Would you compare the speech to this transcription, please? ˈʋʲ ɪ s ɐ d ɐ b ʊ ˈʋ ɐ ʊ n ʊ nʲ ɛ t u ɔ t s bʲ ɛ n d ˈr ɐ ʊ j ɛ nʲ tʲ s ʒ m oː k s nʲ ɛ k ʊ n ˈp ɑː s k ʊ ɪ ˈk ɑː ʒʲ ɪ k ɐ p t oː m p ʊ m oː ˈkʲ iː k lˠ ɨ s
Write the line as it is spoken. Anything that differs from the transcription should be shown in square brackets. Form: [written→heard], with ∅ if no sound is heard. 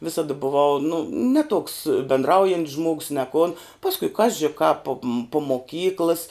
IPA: ˈʋʲ ɪ s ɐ d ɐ b ʊ ˈʋ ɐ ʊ n ʊ nʲ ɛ t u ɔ [t→k] s bʲ ɛ n d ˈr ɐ ʊ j ɛ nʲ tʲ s ʒ m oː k s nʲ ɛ k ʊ n ˈp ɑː s k ʊ ɪ ˈk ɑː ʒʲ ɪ k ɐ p [t→p] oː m p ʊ m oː ˈkʲ iː k lˠ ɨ s